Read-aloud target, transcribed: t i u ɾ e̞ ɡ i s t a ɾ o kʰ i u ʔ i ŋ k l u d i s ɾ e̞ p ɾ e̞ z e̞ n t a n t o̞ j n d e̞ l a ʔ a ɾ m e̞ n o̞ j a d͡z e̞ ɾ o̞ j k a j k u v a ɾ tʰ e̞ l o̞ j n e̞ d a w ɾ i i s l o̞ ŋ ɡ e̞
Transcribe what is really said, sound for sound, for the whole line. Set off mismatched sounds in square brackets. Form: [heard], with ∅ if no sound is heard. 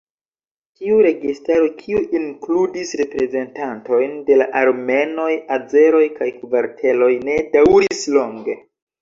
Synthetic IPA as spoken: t i u ɾ e̞ ɡ i s t a ɾ o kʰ i u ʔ i ŋ k l u d i s ɾ e̞ p ɾ e̞ z e̞ n t a n t o̞ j n d e̞ l a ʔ a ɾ m e̞ n o̞ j a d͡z e̞ ɾ o̞ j k a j k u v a ɾ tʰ e̞ l o̞ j n e̞ d a w ɾ i i s l o̞ ŋ ɡ e̞